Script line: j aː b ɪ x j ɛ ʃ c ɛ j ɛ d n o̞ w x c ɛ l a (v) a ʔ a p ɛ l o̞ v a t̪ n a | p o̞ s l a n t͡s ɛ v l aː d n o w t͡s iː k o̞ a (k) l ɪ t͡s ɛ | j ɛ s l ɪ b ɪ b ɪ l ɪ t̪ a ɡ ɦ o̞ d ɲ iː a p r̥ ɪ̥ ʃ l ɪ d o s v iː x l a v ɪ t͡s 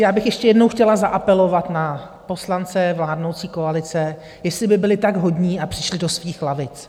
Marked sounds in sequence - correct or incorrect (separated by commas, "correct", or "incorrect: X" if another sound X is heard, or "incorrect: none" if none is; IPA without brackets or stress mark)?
incorrect: z, incorrect: none